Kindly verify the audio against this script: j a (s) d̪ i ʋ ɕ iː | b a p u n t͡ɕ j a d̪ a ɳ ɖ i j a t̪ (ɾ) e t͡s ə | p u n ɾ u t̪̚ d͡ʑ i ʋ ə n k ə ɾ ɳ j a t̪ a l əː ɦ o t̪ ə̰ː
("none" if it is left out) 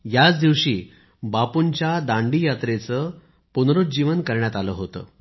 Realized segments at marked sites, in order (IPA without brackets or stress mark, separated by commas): t͡s, ɾ